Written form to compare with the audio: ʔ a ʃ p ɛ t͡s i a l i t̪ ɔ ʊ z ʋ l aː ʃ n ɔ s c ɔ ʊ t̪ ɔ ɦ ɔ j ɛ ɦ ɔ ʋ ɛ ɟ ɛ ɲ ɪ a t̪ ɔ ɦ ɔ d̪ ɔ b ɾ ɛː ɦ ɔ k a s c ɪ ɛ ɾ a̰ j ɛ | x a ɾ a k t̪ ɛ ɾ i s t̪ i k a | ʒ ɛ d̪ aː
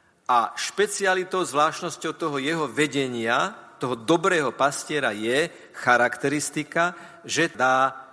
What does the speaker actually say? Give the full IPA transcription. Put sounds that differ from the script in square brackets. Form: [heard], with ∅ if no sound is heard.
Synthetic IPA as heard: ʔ a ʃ p ɛ t͡s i a l i t̪ ɔ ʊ z ʋ l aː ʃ n ɔ s c ɔ ʊ t̪ ɔ ɦ ɔ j ɛ ɦ ɔ ʋ ɛ ɟ ɛ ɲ ɪ a t̪ ɔ ɦ ɔ d̪ ɔ b ɾ ɛː ɦ ɔ [p] a s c ɪ ɛ ɾ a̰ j ɛ | x a ɾ a k t̪ ɛ ɾ i s t̪ i k a | ʒ ɛ d̪ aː